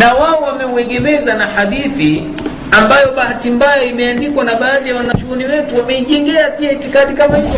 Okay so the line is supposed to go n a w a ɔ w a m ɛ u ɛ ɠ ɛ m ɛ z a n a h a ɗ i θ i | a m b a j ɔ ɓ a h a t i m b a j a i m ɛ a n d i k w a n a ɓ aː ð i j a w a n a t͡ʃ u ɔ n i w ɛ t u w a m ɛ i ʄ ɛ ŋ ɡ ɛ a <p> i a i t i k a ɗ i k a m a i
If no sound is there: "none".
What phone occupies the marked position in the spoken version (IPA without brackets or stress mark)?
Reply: p